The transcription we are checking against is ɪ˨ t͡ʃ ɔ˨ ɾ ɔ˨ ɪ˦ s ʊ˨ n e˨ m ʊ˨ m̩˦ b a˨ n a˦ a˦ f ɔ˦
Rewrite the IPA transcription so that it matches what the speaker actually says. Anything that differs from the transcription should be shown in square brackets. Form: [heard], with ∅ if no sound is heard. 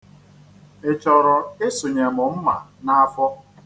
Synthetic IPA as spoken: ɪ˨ t͡ʃ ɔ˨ ɾ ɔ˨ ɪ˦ s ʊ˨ [ɲ] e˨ m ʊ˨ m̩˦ [m] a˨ n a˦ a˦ f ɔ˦